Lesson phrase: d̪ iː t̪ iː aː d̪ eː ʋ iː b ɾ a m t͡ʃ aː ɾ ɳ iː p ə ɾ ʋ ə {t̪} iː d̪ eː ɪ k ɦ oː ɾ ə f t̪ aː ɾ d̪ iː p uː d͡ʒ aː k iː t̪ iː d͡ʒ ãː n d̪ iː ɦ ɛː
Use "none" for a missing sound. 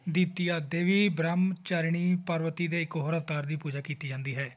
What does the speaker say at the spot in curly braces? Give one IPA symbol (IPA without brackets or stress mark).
t̪